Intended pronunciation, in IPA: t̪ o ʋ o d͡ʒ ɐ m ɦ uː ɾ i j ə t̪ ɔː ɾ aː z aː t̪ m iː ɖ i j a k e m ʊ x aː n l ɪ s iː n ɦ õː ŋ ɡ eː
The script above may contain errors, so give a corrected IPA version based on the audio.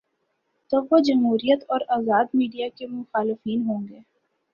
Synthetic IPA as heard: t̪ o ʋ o d͡ʒ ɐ m ɦ uː ɾ i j ə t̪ ɔː ɾ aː z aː d̪ m iː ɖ i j a k e m ʊ x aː l ɪ f iː n ɦ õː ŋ ɡ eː